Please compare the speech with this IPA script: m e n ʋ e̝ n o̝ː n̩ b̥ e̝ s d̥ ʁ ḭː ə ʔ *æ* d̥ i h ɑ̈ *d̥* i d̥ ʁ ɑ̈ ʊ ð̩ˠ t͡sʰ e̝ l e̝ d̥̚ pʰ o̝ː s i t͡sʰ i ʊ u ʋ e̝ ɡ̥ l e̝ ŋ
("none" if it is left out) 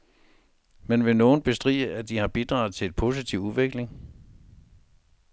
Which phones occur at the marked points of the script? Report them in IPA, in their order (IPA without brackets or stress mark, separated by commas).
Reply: æ, b̥